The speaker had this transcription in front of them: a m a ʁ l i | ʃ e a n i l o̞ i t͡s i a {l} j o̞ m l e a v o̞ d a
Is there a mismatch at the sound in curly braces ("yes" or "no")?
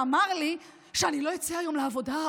yes